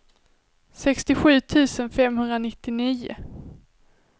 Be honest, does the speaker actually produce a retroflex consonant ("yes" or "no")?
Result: no